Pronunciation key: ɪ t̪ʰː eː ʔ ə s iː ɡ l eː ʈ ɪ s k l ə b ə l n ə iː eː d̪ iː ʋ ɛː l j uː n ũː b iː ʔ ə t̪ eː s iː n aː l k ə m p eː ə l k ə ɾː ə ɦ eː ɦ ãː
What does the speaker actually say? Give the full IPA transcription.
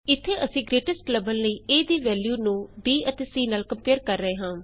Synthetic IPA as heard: ɪ t̪ʰː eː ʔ ə s ĩː ɡ ɾ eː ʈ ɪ s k l ə b ə l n ə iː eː d̪ iː ʋ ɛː l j uː n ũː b iː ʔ ə t̪ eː s iː n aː l k ə m p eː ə ɾ k ə ɾː ə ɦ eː ɦ ãː